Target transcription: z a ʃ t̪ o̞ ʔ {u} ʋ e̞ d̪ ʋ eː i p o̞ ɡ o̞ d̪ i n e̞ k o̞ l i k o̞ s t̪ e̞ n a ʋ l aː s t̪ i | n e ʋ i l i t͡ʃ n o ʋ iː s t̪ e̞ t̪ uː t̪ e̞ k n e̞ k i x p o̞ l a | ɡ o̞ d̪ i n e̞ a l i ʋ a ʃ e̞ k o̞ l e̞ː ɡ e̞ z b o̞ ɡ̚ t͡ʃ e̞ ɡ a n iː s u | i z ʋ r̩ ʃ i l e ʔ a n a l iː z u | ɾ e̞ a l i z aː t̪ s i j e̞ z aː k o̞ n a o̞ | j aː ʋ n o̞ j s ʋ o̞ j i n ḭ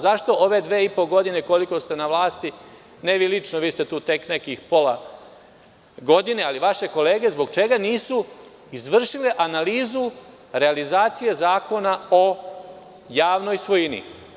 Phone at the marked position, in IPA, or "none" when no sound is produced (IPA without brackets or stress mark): o